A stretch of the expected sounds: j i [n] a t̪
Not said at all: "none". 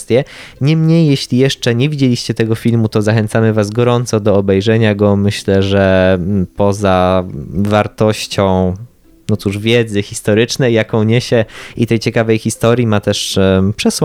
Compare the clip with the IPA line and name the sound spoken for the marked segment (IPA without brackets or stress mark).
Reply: m